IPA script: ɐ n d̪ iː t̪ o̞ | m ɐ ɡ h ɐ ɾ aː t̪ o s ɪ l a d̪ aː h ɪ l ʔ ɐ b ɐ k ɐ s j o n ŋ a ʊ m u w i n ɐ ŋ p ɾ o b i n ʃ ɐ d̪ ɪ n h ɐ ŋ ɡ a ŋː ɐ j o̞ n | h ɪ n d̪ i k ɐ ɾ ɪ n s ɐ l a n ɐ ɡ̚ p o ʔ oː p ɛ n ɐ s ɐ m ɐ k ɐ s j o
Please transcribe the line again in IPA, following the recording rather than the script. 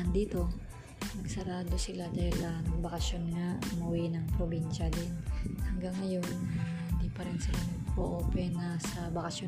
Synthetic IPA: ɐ n d̪ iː t̪ o̞ | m ɐ ɡ s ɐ ɾ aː d̪ o s ɪ l a d̪ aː h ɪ l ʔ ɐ b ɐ k ɐ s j o n ŋ a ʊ m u w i n ɐ ŋ p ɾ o b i n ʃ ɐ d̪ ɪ n h ɐ ŋ ɡ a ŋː ɐ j o̞ n | h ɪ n d̪ i p ɐ ɾ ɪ n s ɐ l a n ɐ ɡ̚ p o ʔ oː p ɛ n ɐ s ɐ b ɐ k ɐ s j o